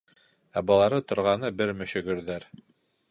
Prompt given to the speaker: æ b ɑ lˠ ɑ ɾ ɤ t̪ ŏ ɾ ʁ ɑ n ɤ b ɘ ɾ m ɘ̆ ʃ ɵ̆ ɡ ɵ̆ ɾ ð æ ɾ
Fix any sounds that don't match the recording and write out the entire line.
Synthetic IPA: æ b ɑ lˠ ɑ ɾ ɤ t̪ ŏ ɾ ʁ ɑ n ɤ b ɘ ɾ m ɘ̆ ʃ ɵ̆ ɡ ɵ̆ ɾ ð æ ɾ